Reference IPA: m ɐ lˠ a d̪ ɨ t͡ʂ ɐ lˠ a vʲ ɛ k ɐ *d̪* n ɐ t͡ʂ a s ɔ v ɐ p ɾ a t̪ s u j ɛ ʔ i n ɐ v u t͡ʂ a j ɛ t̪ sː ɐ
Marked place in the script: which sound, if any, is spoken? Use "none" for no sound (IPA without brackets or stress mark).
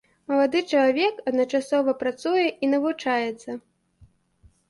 d̪